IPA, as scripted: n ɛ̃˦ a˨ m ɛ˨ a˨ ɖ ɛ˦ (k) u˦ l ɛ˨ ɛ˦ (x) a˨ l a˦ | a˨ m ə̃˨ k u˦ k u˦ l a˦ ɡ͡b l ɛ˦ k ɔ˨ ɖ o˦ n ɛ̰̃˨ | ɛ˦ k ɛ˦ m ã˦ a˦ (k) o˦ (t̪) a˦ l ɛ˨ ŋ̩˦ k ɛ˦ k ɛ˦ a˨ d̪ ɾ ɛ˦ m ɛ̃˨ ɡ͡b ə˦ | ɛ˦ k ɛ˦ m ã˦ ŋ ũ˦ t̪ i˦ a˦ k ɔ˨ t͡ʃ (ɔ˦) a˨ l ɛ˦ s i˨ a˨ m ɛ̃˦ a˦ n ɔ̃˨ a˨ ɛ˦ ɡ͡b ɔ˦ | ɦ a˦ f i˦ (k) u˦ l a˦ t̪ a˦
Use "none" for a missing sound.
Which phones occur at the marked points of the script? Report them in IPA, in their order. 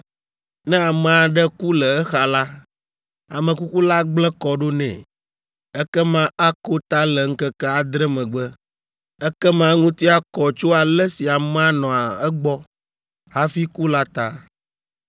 k, x, k, t̪, o˦, k

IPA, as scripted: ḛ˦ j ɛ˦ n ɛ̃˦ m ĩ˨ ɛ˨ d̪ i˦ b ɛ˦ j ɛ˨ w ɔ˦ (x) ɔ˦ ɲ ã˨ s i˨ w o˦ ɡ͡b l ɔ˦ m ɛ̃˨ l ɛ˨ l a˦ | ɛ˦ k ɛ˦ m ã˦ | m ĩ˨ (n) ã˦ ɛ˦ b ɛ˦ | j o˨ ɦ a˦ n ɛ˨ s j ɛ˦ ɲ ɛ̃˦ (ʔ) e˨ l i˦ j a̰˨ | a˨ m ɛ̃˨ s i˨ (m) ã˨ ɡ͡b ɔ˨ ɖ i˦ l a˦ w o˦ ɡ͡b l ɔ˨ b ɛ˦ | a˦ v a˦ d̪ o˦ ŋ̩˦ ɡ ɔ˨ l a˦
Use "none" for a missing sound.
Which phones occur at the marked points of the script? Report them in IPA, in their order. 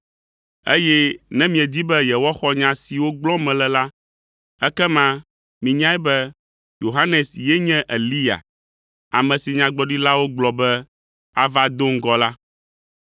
x, ɲ, ʔ, ɲ

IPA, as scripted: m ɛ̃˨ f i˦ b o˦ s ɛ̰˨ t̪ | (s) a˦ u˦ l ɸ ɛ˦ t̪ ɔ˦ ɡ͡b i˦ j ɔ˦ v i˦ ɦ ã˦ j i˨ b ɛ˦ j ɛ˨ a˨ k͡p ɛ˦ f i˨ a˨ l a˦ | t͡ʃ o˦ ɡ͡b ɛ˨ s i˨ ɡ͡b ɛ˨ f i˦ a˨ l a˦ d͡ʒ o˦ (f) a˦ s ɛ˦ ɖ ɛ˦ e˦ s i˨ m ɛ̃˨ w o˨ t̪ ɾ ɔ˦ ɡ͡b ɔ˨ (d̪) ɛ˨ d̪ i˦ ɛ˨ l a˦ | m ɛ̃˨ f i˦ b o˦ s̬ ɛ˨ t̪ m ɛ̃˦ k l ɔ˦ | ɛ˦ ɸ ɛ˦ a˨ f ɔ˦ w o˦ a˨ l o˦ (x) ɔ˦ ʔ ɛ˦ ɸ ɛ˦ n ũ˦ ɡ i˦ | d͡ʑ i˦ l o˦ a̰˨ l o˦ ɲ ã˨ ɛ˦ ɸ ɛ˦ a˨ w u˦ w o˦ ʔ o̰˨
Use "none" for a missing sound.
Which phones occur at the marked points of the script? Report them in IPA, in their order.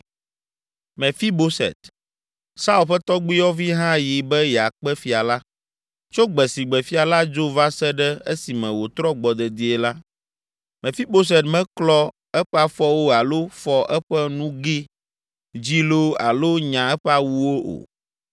s, v, d̪, f

